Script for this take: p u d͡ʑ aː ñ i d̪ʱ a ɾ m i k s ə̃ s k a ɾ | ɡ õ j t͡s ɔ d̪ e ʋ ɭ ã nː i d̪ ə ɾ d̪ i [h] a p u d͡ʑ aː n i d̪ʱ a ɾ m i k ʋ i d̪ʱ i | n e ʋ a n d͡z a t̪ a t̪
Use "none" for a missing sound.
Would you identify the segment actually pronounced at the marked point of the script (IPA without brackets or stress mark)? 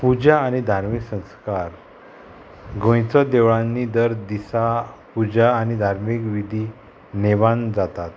s